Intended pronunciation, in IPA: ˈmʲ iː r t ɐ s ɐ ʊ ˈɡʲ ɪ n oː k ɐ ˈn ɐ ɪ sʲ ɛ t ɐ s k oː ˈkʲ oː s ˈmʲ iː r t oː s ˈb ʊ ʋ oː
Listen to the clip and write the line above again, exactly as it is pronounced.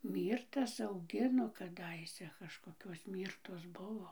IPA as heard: ˈmʲ iː r t ɐ s ɐ ʊ ˈɡʲ ɪ n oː k ɐ ˈd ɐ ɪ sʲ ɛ k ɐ ʃ k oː ˈkʲ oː s ˈmʲ iː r t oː s ˈb ʊ ʋ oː